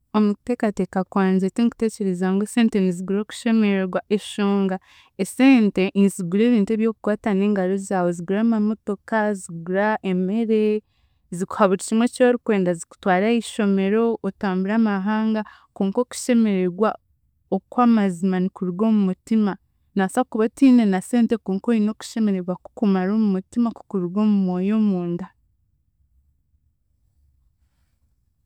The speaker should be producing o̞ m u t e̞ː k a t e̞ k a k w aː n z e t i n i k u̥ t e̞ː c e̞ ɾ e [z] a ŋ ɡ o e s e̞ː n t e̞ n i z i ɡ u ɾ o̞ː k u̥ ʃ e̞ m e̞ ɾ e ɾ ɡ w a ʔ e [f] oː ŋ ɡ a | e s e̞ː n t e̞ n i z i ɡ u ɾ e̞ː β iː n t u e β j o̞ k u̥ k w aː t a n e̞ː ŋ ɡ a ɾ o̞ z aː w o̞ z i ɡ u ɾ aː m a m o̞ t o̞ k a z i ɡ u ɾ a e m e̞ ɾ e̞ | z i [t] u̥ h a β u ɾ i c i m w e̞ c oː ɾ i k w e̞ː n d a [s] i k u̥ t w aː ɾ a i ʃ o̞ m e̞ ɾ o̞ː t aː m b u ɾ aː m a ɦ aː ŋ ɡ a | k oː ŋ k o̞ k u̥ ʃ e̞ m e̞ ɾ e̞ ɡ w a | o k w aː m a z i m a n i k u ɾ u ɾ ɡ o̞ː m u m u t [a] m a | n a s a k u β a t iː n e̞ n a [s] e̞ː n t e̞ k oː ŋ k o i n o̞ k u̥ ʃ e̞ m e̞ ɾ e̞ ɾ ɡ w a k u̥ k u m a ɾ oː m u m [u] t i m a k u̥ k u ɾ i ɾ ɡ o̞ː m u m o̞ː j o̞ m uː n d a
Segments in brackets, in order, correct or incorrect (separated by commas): correct, incorrect, incorrect, incorrect, incorrect, correct, correct